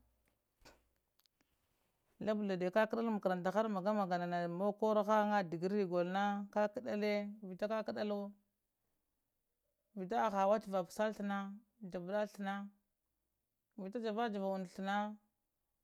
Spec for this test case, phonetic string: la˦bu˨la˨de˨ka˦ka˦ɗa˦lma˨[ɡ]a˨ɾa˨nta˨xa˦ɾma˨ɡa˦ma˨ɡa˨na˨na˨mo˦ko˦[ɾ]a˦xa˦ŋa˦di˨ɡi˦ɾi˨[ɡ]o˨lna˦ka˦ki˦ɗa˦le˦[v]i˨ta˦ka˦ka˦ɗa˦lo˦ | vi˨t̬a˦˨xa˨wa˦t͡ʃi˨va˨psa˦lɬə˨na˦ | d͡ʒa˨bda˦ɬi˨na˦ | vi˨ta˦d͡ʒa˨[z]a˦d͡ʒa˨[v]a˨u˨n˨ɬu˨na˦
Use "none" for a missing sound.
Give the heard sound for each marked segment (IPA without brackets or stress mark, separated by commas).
k, ɾ, ɡ, v, v, v